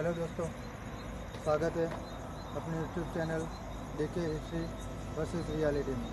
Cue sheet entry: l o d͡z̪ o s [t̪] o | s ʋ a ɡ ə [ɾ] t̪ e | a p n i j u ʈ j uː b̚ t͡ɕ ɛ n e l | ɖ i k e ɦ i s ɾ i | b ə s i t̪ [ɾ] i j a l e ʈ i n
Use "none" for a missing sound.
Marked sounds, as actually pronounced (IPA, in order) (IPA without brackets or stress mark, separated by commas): t̪, none, ɾ